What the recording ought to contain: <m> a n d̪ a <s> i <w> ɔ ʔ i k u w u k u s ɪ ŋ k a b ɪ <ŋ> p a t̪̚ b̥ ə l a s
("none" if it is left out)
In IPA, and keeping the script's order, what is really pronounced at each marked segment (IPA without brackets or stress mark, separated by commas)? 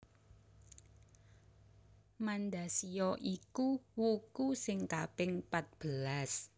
m, s, none, ŋ